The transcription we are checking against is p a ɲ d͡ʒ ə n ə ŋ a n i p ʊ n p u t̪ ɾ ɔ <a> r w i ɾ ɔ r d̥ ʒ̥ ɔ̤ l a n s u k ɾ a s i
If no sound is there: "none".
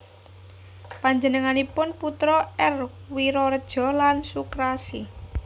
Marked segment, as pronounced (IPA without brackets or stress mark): ɛ